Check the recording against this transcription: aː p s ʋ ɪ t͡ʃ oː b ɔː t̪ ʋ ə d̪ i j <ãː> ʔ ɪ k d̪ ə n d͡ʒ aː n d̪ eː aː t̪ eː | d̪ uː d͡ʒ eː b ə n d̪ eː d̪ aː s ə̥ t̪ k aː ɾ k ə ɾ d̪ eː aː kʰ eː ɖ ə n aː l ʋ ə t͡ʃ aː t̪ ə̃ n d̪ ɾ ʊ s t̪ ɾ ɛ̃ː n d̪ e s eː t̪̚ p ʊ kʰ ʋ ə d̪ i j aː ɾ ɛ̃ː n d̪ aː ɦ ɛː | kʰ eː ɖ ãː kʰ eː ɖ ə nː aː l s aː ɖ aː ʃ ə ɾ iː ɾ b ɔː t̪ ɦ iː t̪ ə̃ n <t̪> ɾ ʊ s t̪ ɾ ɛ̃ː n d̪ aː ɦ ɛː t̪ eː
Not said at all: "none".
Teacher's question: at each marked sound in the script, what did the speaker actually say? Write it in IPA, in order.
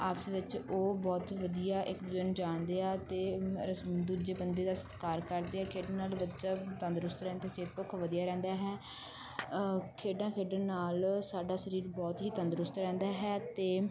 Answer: aː, d̪

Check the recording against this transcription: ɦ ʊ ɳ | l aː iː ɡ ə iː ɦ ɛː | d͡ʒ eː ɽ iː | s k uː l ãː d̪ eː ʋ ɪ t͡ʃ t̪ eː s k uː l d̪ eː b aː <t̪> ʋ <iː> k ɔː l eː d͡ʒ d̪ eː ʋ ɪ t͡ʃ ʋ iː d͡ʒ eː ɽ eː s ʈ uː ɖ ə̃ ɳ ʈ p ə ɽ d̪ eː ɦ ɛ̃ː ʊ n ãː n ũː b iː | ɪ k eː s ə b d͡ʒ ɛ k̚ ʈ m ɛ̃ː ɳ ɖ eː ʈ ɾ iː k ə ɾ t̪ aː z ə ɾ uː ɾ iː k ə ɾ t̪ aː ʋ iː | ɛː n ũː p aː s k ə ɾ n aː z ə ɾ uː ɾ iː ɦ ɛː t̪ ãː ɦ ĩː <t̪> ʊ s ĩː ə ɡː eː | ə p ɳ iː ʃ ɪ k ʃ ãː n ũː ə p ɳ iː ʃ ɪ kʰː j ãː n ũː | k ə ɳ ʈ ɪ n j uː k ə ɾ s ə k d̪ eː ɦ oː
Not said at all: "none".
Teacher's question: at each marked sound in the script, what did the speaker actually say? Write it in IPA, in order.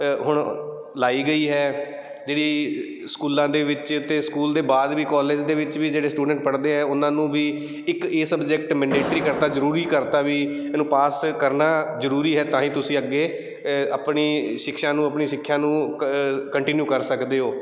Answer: d̪, iː, t̪

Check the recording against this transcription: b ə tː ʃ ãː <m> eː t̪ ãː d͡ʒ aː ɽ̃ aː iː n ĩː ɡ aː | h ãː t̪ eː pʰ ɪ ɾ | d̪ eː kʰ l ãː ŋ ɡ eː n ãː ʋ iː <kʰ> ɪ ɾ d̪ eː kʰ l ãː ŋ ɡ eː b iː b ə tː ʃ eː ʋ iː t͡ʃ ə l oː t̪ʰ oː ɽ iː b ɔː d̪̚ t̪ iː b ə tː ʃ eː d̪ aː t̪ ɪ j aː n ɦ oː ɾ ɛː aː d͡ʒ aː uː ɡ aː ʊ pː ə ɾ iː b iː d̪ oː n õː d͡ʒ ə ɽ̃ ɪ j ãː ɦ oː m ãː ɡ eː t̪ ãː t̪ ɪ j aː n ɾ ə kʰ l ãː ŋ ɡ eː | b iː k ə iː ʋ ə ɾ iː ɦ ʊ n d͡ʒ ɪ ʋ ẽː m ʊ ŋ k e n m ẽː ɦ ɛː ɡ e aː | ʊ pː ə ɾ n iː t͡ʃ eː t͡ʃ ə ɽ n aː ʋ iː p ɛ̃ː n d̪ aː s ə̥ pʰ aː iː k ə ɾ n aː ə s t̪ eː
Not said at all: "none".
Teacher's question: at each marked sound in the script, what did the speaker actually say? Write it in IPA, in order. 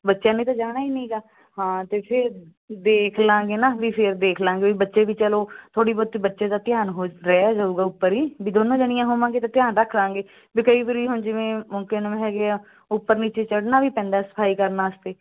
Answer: n, pʰ

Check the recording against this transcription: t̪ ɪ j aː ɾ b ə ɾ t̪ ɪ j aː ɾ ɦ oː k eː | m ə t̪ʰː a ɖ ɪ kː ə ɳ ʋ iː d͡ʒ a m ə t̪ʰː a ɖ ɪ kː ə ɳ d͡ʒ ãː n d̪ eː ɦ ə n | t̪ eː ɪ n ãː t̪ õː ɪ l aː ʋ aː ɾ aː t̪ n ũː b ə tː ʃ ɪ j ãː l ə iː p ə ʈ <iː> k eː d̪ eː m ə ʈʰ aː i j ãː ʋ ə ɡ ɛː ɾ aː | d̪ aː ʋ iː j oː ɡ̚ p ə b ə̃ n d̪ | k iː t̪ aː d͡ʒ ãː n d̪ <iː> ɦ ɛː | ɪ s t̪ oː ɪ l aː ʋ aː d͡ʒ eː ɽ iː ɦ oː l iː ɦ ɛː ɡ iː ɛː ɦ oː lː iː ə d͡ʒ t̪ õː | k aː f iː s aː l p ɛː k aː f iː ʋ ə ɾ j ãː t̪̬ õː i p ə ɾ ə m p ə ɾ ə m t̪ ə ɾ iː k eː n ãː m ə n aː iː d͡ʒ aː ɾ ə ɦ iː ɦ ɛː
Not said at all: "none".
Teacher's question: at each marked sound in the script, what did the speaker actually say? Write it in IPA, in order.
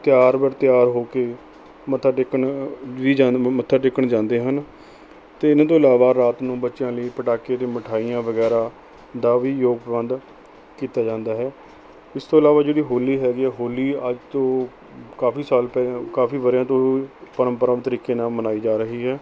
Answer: aː, aː

